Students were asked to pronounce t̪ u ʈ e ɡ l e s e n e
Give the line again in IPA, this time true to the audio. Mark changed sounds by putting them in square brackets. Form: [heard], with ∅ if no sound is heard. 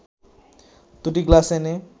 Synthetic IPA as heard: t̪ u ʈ [i] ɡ l [a] s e n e